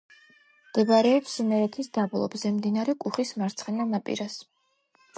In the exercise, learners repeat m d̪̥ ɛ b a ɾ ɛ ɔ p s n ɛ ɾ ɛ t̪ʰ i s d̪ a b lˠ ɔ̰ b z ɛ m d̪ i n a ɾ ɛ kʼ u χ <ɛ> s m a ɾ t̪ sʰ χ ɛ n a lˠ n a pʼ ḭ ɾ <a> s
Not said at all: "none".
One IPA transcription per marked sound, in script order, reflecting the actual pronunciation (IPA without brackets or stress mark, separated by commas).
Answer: i, a